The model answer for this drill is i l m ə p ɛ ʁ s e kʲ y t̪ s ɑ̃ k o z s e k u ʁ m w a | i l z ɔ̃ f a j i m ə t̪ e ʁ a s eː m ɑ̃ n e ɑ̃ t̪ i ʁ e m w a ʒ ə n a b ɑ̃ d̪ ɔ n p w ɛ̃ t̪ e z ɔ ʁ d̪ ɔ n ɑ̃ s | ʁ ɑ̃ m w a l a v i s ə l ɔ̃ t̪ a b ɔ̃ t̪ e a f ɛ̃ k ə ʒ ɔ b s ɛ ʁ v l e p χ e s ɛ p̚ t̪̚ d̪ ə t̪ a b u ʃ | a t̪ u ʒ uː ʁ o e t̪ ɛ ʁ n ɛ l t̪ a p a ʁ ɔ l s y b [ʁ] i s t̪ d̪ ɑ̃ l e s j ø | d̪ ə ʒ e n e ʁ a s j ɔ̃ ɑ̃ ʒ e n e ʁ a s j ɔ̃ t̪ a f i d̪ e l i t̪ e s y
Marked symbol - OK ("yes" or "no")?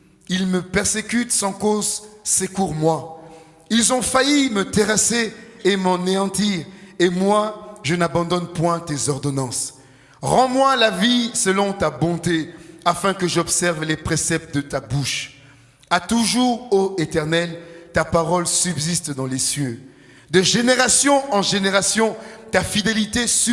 no